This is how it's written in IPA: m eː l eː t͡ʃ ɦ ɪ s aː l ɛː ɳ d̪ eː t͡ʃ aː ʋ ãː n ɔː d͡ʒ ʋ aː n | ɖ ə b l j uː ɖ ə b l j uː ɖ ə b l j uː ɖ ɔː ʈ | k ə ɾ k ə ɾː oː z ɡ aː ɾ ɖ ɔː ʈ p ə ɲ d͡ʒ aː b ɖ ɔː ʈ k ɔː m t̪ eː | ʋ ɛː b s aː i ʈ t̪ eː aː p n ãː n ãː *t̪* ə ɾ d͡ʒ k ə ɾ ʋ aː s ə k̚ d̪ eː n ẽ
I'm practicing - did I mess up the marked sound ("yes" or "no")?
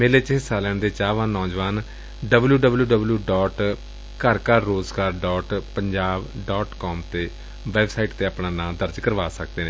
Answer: yes